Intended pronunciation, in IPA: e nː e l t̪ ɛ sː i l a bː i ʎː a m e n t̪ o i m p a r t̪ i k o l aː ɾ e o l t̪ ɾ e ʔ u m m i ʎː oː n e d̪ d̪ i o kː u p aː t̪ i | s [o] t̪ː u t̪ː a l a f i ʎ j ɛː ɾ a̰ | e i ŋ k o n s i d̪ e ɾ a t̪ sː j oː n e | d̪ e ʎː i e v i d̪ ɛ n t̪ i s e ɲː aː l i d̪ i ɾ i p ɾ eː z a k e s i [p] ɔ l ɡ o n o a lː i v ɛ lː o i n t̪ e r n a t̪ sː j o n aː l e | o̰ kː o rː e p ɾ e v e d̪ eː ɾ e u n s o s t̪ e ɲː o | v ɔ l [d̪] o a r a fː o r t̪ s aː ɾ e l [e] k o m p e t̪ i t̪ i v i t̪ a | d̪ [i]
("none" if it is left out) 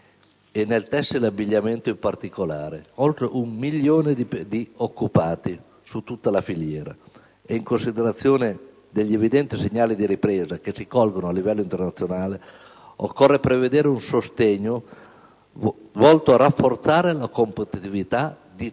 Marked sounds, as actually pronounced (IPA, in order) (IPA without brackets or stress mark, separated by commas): u, k, t̪, a, i